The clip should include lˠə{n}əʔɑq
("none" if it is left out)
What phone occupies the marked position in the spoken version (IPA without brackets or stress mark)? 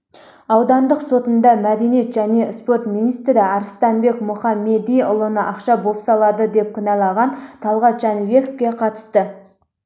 n